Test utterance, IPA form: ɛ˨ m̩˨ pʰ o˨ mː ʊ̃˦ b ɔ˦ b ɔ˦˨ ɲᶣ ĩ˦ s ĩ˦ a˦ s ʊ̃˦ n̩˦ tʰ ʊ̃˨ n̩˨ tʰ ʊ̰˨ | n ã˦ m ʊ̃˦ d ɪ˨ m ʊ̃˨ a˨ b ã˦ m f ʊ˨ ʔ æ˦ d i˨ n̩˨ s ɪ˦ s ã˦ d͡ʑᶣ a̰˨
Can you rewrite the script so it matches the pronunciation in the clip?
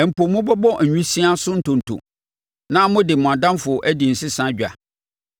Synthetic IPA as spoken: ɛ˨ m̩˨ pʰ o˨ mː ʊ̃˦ b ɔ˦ b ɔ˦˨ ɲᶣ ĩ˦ s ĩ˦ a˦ s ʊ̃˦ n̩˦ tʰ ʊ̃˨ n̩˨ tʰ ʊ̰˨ | n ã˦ m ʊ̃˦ d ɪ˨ m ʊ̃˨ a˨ d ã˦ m f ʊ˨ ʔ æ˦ d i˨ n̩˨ s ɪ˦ s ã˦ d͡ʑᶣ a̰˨